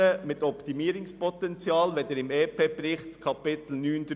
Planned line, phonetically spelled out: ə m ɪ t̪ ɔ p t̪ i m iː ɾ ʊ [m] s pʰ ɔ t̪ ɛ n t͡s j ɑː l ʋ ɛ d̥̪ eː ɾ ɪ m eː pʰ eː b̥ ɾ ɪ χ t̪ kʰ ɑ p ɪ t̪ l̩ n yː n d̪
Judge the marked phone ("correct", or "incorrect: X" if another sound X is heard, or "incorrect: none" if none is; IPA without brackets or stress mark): incorrect: ŋ